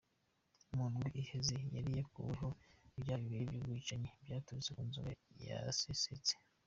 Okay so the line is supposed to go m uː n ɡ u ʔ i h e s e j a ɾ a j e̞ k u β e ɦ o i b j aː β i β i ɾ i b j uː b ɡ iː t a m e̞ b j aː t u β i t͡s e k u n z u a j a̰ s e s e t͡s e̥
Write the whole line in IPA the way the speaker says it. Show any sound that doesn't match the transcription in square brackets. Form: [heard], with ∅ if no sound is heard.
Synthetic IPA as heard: m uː n ɡ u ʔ i h e [z] e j a ɾ [i] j e̞ k u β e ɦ o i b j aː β i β i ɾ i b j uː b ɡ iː [t͡ʃ] a [ɲ] e̞ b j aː t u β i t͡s e k u n z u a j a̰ s e s e t͡s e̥